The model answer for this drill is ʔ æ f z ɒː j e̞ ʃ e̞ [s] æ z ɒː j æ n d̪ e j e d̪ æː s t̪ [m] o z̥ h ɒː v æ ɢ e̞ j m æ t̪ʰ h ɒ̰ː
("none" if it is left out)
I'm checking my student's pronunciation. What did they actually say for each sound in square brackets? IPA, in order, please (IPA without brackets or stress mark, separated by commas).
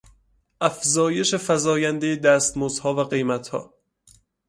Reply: f, m